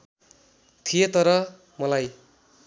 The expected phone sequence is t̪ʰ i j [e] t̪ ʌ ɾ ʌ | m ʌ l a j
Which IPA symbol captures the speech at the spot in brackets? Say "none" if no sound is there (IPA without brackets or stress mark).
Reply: e